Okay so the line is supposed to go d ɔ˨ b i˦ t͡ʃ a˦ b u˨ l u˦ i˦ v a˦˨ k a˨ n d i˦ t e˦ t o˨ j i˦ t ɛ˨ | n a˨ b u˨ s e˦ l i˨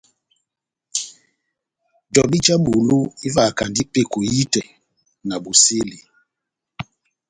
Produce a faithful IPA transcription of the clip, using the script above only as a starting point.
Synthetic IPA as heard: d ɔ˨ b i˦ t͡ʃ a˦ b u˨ l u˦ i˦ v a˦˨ k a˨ n d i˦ p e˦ k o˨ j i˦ t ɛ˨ | n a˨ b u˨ s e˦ l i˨